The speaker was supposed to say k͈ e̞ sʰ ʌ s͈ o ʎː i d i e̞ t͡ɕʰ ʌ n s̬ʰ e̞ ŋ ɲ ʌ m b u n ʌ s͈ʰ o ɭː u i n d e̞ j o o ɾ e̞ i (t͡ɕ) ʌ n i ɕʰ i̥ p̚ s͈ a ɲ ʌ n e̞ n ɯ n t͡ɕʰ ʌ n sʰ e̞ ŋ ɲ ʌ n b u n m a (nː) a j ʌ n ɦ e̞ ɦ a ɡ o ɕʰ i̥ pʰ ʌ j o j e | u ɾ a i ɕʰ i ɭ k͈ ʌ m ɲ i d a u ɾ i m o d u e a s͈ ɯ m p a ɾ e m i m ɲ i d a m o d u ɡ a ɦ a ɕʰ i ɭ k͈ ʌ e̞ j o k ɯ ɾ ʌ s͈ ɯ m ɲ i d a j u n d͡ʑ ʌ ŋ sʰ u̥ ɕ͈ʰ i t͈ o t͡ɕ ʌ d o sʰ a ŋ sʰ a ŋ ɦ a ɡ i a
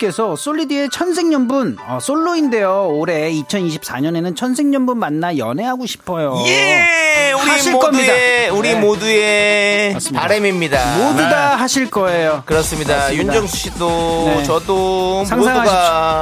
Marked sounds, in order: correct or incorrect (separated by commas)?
incorrect, correct